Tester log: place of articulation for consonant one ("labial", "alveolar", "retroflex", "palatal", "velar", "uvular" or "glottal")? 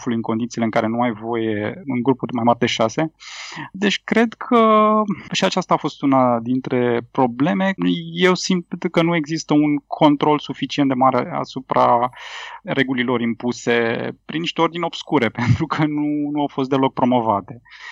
labial